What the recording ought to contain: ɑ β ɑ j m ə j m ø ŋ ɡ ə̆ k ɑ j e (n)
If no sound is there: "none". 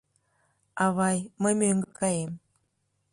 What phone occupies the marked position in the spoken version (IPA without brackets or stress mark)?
m